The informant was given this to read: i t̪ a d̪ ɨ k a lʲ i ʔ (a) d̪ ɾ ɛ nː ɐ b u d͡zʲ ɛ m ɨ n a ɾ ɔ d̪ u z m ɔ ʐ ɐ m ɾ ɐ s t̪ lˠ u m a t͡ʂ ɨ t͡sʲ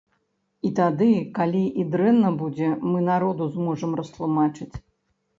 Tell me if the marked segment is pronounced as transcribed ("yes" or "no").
no